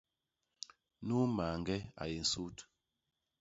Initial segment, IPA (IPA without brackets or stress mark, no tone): n